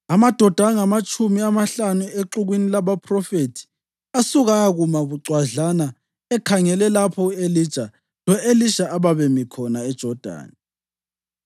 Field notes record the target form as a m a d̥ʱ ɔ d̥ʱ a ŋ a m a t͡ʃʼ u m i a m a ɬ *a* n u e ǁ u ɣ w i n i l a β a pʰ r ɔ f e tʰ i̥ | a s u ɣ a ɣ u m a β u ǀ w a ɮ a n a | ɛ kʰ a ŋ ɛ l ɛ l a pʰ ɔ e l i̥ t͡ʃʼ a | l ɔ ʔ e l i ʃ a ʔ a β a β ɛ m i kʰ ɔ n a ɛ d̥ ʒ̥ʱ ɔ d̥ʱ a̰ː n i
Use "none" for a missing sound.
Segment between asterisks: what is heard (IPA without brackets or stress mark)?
a